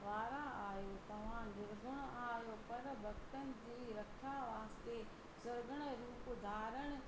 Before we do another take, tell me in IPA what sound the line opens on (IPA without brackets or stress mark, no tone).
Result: ʋ